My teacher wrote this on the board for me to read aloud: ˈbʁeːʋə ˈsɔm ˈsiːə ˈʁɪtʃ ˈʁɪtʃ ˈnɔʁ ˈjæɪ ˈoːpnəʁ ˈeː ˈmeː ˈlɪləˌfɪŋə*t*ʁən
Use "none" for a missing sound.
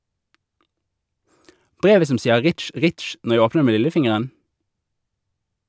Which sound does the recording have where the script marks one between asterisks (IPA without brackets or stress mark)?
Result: none